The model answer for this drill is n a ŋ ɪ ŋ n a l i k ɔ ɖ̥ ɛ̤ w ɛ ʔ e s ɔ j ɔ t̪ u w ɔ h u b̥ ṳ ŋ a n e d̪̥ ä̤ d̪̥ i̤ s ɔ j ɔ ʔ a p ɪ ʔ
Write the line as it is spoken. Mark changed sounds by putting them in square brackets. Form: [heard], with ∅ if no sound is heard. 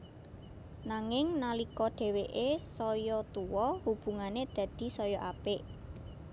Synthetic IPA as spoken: n a ŋ ɪ ŋ n a l i k ɔ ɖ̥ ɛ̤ w [e] ʔ e s ɔ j ɔ t̪ u w ɔ h u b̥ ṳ ŋ a n e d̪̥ ä̤ d̪̥ i̤ s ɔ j ɔ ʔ a p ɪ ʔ

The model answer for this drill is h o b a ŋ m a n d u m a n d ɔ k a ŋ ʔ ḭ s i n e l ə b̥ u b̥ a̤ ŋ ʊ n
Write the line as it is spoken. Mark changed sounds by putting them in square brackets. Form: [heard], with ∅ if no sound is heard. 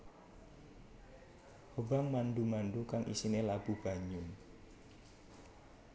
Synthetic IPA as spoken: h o b a ŋ m a n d u m a n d [u] k a ŋ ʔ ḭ s i n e l [a] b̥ u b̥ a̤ [ɲ] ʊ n

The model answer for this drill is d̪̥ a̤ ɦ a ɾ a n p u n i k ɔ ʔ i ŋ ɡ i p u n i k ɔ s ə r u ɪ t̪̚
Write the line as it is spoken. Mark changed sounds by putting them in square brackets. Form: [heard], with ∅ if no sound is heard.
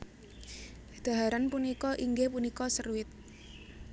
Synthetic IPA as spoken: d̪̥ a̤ ɦ a ɾ a n p u n i k ɔ ʔ i ŋ ɡ [e] p u n i k ɔ s ə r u ɪ t̪̚

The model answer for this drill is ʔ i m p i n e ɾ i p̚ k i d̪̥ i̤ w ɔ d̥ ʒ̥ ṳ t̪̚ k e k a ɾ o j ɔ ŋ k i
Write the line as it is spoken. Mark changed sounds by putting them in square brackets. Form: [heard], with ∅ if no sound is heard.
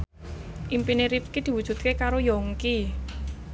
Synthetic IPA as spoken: ʔ i m p i n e ɾ i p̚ k i d̪̥ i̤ w [u] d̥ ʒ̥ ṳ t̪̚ k e k a ɾ o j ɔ ŋ k i

